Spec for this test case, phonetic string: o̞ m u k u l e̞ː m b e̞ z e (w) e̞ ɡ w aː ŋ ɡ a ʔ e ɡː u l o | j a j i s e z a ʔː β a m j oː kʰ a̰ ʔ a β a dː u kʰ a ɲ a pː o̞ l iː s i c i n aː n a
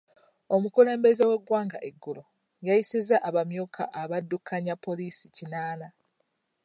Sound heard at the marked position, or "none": w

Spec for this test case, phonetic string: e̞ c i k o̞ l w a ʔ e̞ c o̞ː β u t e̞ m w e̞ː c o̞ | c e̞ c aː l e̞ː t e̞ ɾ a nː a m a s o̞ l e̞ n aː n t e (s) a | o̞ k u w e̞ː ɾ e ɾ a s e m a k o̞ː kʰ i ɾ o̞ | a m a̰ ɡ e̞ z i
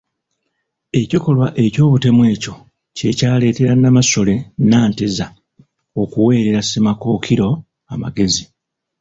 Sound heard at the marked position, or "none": z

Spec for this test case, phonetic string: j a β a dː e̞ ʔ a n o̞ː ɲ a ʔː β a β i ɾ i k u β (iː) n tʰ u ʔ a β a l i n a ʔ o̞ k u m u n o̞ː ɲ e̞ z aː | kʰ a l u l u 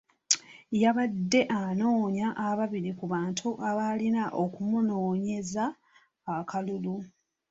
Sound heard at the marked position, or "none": aː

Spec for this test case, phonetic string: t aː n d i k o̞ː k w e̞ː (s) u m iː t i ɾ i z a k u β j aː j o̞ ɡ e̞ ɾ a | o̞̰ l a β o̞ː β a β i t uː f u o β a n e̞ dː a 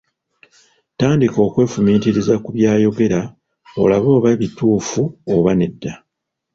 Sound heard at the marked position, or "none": f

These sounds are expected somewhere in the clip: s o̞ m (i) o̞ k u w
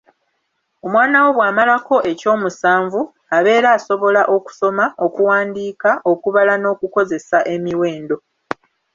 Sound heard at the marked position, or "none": a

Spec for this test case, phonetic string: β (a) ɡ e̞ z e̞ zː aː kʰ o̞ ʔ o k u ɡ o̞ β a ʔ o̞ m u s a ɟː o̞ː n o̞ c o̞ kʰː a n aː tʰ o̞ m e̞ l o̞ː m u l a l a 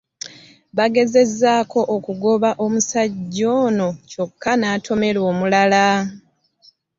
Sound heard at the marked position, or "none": a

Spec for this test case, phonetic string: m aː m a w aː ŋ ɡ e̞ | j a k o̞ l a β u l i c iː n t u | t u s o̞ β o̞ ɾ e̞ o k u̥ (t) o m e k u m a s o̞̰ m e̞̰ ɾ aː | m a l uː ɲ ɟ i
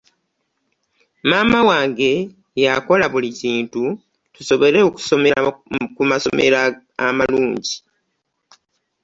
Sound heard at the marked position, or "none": s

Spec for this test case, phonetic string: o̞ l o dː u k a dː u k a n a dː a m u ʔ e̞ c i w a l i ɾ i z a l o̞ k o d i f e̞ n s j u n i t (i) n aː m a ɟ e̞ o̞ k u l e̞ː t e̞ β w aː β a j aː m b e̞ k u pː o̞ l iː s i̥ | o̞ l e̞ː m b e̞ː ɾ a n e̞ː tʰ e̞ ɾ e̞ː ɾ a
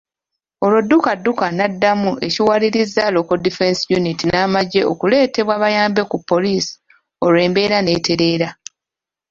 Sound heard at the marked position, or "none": i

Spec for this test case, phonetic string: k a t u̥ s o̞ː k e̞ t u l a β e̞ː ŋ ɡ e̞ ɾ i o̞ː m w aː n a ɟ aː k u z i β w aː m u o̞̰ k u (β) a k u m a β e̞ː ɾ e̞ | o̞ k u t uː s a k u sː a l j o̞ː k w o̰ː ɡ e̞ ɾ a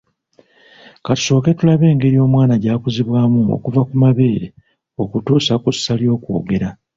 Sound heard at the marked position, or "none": v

